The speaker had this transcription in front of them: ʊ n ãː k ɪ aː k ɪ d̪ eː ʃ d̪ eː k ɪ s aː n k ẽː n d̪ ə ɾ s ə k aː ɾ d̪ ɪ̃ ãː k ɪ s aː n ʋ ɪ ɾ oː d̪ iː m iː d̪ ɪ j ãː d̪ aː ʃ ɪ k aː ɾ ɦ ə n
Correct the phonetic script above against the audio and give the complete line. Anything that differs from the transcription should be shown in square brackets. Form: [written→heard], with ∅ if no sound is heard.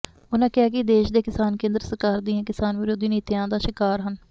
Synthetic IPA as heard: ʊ n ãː k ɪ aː k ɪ d̪ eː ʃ d̪ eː k ɪ s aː n k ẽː n d̪ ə ɾ s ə k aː ɾ d̪ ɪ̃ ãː k ɪ s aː n ʋ ɪ ɾ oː d̪ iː [m→n] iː [d̪→t̪] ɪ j ãː d̪ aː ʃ ɪ k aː ɾ ɦ ə n